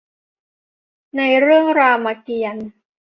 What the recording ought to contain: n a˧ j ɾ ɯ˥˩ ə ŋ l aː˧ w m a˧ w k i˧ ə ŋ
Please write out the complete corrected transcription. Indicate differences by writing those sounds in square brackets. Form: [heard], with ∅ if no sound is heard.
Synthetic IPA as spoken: n a˧ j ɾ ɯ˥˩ ə ŋ [ɾ] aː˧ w m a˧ [∅] k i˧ ə [n]